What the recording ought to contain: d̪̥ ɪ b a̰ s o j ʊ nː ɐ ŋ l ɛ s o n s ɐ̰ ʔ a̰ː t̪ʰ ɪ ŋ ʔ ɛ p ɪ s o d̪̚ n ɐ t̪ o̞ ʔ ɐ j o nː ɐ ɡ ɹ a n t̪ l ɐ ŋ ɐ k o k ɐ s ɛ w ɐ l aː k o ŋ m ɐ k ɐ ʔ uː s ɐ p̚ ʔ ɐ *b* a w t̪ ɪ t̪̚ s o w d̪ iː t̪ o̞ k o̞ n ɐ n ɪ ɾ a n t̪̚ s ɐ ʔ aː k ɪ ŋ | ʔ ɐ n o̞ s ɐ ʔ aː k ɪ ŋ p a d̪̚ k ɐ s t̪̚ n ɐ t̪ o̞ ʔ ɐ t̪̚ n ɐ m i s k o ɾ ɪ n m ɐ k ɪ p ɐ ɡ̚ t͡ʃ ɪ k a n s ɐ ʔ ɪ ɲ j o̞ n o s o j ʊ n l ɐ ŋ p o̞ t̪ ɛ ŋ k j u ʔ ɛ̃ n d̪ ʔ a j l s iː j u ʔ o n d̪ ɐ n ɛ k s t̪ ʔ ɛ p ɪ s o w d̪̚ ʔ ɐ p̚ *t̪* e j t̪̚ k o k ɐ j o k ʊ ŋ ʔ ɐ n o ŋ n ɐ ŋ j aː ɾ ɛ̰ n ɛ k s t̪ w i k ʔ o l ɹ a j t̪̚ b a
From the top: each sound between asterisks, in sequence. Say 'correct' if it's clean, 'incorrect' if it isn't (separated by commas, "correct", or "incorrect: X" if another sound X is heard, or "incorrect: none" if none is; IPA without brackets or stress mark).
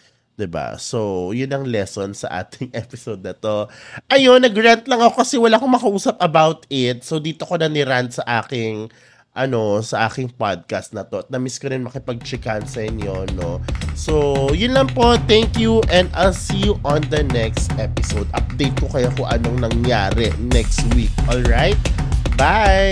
correct, incorrect: d̪